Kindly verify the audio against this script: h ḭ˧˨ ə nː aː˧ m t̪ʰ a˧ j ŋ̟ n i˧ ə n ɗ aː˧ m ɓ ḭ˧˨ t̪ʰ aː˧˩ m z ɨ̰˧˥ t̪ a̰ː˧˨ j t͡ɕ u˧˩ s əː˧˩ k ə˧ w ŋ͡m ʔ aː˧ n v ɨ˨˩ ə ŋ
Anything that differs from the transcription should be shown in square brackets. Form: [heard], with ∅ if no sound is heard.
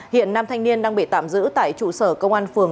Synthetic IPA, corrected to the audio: h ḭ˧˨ ə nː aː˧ m t̪ʰ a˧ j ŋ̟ n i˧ ə n ɗ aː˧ [ŋ] ɓ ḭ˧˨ [t̪] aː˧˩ m z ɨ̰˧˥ t̪ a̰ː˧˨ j t͡ɕ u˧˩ s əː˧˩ k ə˧ w ŋ͡m ʔ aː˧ n [f] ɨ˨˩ ə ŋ